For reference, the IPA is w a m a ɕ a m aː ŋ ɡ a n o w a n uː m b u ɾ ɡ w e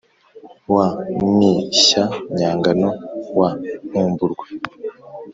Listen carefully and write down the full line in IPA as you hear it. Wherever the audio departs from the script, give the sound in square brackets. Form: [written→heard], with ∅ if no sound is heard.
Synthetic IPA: w a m [a→i] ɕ a [m→ɲ] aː ŋ ɡ a n o w a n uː m b u ɾ ɡ w e